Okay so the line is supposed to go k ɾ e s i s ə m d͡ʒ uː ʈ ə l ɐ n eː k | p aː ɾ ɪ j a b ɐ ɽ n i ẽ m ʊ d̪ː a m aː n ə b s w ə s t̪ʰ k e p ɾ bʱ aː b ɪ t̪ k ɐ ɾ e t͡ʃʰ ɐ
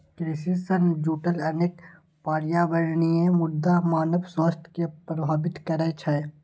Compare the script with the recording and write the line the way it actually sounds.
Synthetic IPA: k ɾ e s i s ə n d͡ʒ uː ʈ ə l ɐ n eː k | p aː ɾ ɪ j a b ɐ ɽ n i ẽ m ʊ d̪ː a m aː n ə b s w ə s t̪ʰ k e p ɾ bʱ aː b ɪ t̪ k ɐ ɾ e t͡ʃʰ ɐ

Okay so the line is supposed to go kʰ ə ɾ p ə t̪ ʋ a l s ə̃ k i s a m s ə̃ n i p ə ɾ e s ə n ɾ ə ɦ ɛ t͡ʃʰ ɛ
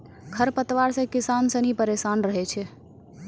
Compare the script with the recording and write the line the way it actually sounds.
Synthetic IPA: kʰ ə ɾ p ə t̪ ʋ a ɾ s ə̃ k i s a n s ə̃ n i p ə ɾ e s a n ɾ ə ɦ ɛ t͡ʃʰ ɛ

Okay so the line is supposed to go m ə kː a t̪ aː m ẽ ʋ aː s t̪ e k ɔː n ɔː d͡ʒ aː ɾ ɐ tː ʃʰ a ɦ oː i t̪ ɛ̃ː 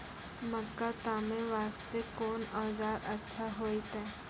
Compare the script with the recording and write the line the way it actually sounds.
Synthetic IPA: m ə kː a t̪ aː m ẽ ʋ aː s t̪ e k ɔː n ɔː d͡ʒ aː ɾ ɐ tː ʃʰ a ɦ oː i t̪ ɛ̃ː

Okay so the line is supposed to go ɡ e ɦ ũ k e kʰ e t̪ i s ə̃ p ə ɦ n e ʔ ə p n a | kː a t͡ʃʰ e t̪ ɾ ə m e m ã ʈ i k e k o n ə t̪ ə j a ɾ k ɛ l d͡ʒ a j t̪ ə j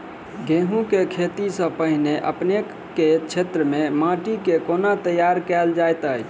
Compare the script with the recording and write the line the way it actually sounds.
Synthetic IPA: ɡ e ɦ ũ k e kʰ e t̪ i s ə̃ p ə ɦ n e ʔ ə p n e | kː e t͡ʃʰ e t̪ ɾ ə m e m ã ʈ i k e k o n a t̪ ə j a ɾ k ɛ l d͡ʒ a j t̪ ə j

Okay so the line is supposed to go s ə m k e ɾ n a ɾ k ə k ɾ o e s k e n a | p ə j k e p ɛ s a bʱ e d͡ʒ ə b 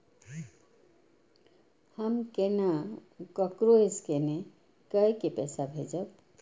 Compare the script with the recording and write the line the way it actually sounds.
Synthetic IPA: h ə m k e n a k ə k ɾ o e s k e n e | k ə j k e p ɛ s a bʱ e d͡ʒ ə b

